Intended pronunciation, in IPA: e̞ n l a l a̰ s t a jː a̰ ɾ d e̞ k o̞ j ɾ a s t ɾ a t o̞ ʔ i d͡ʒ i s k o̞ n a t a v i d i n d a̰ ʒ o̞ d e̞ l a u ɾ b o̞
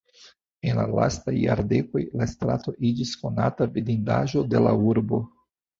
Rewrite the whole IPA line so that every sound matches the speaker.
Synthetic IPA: e̞ n l a l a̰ s t a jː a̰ ɾ d e̞ k o̞ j l a s t ɾ a t o̞ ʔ i d͡ʒ i s k o̞ n a t a v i d i n d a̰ ʒ o̞ d e̞ l a u ɾ b o̞